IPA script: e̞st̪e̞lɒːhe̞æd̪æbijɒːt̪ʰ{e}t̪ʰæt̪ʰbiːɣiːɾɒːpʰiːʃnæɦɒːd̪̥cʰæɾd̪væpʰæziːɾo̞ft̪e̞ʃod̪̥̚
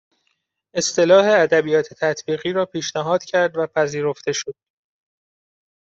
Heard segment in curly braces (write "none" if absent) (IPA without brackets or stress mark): e